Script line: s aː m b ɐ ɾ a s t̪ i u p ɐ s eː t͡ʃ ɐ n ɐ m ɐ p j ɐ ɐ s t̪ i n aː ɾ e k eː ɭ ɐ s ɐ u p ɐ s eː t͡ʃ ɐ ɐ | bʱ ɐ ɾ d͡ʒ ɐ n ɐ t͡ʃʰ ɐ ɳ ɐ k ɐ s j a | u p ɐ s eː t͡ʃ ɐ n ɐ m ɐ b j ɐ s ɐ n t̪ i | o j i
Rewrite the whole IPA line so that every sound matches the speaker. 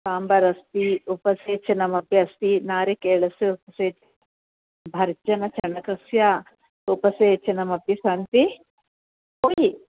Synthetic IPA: s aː m b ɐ ɾ ɐ s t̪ i u p ɐ s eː t͡ʃ ɐ n ɐ m ɐ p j ɐ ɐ s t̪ i n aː ɾ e k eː ɭ ɐ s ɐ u p ɐ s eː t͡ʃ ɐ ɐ | bʱ ɐ ɾ d͡ʒ ɐ n ɐ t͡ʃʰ ɐ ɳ ɐ k ɐ s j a | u p ɐ s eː t͡ʃ ɐ n ɐ m ɐ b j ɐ s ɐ n t̪ i | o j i